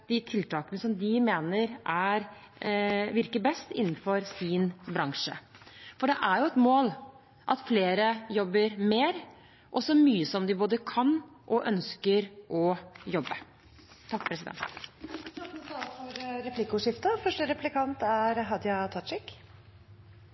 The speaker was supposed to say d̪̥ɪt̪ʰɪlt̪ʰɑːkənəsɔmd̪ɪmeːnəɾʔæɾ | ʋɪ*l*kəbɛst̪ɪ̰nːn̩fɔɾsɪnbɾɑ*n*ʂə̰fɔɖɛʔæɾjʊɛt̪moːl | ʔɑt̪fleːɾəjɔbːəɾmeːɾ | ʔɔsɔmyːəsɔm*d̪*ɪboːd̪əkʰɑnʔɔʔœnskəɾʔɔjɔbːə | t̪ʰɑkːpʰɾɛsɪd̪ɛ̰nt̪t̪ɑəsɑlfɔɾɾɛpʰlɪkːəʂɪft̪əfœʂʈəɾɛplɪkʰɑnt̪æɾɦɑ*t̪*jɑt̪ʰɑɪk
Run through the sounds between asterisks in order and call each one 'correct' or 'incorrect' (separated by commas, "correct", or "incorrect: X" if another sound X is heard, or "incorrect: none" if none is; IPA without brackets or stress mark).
incorrect: ɾ, incorrect: ŋ, correct, incorrect: d̪